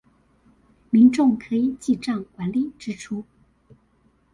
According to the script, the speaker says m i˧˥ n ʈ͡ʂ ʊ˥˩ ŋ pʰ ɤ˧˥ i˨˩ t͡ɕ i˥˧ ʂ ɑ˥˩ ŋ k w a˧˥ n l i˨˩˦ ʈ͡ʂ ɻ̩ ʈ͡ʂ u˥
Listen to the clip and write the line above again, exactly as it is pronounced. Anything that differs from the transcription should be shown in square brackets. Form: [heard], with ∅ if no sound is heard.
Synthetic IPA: m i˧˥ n ʈ͡ʂ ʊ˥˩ ŋ [kʰ] ɤ˧˥ i˨˩ t͡ɕ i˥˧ [ʈ͡ʂ] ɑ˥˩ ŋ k w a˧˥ n l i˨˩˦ ʈ͡ʂ ɻ̩ [ʈ͡ʂʰ] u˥